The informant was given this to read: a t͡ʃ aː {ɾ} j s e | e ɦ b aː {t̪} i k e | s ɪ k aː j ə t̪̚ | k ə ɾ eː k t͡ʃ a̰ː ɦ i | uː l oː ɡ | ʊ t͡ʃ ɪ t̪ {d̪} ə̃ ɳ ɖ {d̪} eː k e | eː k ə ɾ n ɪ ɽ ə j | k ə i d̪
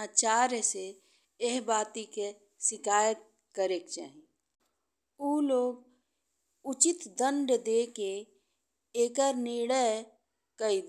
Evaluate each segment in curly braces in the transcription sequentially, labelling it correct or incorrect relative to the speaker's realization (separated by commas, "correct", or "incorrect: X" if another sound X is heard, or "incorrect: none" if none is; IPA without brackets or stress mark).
correct, correct, correct, correct